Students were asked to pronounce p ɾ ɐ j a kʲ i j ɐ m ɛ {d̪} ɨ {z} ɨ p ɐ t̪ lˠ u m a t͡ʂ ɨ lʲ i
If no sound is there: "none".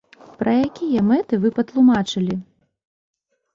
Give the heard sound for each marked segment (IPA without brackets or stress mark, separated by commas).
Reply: t̪, v